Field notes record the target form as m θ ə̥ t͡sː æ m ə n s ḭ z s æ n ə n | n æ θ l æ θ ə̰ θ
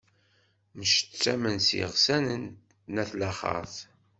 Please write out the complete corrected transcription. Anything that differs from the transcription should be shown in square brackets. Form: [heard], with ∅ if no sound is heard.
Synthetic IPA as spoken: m [ʃ] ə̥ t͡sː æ m ə n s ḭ [ʁ] s æ n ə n | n æ θ l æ [χ] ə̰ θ